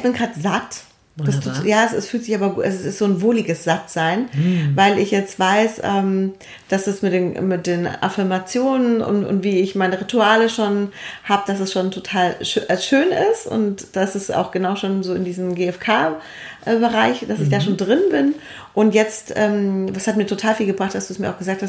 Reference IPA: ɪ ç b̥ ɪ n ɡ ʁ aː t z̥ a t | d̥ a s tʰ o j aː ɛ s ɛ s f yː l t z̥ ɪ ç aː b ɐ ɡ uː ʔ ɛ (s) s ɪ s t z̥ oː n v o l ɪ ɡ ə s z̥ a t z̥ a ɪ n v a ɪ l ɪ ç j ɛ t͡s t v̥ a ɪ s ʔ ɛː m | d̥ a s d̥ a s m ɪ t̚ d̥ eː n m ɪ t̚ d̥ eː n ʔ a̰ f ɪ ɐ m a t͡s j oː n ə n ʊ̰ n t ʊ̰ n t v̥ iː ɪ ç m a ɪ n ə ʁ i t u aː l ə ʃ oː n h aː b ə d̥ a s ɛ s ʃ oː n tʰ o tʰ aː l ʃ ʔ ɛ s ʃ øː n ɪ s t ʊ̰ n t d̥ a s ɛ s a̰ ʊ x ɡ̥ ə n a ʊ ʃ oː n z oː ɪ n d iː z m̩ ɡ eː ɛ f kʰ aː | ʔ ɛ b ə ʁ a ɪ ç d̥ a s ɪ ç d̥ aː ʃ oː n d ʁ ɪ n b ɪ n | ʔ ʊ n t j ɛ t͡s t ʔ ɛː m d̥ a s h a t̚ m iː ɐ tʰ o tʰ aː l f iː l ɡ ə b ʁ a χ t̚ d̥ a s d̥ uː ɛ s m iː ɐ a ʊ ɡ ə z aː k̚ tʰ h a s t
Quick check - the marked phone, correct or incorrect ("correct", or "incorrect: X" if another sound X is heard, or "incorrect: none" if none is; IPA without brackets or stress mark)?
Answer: correct